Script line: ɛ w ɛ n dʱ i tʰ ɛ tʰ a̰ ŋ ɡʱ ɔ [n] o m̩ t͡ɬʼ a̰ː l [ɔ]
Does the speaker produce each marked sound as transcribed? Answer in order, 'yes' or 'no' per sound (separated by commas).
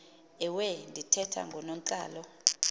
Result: yes, yes